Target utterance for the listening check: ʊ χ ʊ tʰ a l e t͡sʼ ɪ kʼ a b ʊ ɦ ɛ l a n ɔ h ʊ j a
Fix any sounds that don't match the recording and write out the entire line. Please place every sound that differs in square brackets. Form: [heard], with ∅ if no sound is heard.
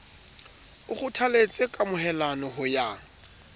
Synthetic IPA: ʊ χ ʊ tʰ a l e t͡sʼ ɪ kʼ a [m] ʊ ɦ ɛ l a n ɔ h ʊ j a